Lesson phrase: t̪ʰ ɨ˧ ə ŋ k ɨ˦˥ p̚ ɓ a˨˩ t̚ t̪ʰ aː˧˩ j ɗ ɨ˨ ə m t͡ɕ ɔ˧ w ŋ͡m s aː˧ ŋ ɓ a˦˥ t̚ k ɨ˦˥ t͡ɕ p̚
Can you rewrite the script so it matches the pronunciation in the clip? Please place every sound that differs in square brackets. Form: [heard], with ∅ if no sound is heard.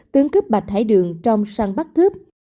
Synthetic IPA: [t̪] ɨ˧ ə ŋ k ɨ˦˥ p̚ ɓ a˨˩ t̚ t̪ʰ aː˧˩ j ɗ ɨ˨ ə [ŋ] t͡ɕ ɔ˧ w ŋ͡m s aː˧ ŋ ɓ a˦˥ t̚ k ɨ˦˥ [∅] p̚